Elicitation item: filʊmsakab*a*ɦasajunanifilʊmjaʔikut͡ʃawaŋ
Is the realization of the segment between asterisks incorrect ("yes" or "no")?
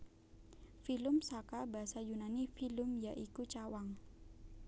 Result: no